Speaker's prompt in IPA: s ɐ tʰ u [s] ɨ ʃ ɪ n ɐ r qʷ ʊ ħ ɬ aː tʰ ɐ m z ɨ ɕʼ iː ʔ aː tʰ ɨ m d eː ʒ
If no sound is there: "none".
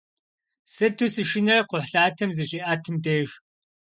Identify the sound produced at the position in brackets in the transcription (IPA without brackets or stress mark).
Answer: s